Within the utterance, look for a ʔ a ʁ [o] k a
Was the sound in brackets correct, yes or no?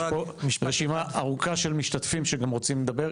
no